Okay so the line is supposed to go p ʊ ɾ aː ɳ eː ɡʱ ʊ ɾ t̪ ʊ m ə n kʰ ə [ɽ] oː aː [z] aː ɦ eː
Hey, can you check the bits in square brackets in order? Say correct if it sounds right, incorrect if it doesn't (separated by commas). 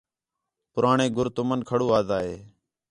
correct, correct